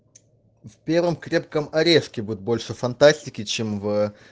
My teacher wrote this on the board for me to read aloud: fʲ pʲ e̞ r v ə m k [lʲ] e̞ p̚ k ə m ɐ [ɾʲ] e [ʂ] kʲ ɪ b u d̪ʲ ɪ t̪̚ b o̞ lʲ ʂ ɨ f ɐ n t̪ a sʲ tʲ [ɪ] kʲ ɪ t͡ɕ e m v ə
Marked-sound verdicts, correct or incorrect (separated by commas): incorrect, correct, correct, correct